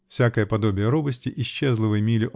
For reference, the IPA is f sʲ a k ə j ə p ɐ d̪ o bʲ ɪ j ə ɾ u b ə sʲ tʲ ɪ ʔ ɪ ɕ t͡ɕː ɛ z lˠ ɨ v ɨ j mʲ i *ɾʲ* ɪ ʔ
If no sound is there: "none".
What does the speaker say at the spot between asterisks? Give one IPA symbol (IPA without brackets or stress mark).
lʲ